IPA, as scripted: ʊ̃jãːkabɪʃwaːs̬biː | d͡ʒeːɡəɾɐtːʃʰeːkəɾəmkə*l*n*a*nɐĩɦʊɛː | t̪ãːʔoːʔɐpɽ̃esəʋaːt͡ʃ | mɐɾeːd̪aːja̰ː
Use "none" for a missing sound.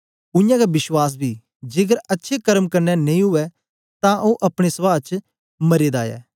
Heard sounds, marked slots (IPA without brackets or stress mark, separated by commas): ɾ, ɛ